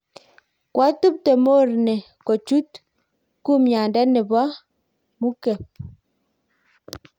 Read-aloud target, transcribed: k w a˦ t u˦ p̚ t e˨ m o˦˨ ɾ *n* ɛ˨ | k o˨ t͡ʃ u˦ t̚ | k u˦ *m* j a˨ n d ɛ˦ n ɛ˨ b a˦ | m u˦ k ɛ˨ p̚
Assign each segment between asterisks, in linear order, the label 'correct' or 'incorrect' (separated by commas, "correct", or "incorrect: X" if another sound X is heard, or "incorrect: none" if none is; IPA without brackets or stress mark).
correct, correct